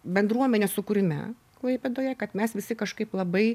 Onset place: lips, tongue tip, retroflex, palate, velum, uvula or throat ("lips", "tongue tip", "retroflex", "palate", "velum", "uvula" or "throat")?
lips